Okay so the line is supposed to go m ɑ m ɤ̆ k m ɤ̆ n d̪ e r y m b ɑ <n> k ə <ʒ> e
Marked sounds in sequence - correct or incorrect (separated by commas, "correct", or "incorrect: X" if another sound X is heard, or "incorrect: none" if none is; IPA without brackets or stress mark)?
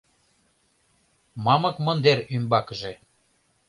incorrect: none, correct